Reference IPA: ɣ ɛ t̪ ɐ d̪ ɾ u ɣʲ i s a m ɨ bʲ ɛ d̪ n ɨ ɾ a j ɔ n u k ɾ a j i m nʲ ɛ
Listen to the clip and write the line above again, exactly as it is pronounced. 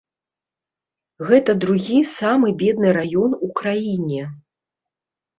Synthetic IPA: ɣ ɛ t̪ ɐ d̪ ɾ u ɣʲ i s a m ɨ bʲ ɛ d̪ n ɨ ɾ a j ɔ n u k ɾ a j i nʲ ɛ